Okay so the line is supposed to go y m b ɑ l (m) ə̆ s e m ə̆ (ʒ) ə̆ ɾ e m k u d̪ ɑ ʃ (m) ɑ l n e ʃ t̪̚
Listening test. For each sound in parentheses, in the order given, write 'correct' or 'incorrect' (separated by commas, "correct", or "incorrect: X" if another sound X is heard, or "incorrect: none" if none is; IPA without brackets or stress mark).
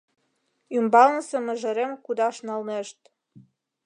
incorrect: n, correct, incorrect: n